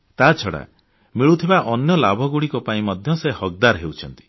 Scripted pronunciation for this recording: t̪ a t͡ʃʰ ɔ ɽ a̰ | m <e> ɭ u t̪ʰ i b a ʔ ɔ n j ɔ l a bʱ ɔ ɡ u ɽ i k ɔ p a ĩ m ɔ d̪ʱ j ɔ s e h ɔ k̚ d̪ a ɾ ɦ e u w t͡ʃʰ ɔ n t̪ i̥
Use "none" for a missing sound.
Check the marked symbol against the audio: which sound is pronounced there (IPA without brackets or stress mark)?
i